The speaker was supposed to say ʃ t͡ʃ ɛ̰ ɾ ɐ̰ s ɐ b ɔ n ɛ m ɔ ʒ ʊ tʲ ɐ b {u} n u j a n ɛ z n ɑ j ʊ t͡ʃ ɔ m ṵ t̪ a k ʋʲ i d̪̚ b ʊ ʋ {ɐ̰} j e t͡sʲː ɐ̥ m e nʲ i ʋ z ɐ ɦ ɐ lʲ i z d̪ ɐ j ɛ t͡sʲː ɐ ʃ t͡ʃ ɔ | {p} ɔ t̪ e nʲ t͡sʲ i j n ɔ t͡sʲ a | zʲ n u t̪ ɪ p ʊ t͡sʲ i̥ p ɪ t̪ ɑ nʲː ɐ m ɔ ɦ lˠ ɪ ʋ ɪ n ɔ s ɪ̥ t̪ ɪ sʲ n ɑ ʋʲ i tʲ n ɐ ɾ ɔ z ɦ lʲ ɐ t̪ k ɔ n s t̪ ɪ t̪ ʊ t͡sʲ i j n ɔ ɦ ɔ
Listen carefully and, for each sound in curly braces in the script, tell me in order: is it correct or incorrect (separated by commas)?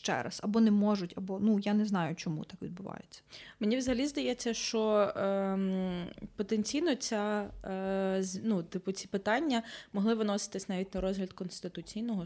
incorrect, incorrect, correct